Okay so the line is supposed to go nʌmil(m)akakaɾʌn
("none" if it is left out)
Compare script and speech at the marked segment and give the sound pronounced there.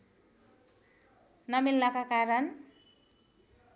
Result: n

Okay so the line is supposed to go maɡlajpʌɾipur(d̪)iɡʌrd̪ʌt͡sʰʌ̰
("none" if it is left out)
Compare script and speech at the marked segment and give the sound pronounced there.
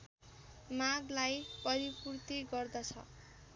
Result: t̪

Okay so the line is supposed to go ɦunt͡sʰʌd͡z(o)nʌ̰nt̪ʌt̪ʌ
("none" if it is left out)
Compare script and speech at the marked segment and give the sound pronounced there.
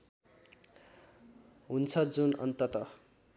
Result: u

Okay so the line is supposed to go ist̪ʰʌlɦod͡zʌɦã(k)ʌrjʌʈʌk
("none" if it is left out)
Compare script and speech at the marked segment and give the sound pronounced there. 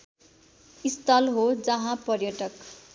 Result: p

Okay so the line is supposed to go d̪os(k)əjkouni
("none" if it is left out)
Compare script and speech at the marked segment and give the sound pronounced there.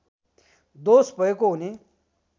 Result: p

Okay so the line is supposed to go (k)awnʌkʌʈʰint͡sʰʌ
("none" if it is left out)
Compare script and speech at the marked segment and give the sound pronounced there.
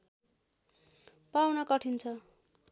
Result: p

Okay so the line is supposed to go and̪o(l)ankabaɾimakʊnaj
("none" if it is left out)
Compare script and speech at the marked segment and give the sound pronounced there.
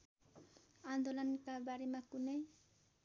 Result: l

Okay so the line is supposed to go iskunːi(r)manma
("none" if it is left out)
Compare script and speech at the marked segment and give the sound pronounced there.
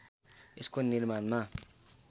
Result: l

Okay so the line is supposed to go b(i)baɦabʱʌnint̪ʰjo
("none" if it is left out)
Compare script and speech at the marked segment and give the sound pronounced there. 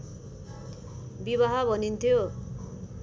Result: i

